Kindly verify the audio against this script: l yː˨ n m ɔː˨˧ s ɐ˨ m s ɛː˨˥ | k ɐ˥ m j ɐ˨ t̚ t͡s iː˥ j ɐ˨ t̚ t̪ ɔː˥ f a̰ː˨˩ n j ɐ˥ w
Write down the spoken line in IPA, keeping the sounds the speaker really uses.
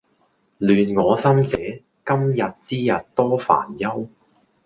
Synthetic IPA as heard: l yː˨ n ŋ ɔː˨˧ s ɐ˥ m t͡s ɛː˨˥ | k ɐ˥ m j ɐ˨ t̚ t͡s iː˥ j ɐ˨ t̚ t̪ ɔː˥ f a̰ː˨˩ n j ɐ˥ w